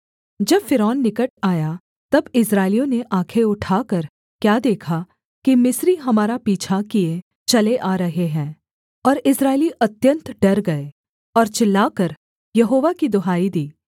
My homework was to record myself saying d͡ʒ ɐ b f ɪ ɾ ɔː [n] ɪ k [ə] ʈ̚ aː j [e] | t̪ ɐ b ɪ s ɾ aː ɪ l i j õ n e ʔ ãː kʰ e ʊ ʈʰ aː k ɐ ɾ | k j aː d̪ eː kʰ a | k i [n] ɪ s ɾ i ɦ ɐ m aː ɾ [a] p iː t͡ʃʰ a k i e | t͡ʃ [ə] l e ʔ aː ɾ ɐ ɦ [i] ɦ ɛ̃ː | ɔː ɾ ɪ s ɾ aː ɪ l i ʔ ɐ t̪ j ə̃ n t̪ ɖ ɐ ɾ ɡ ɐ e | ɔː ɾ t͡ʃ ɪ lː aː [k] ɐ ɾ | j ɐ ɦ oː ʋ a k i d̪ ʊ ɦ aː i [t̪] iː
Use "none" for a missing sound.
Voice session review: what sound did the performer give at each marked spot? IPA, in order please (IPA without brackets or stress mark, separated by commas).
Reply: nː, ə, a, m, a, ɐ, e, k, d̪